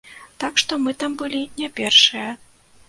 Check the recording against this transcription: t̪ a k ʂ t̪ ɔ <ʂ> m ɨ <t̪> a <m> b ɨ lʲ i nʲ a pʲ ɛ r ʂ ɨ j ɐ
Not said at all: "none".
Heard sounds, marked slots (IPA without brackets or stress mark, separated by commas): none, t̪, m